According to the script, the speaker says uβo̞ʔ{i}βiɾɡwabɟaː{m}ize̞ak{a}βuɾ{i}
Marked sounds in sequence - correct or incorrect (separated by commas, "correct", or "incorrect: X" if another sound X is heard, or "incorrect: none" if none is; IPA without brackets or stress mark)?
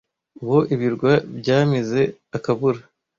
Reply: correct, correct, correct, incorrect: a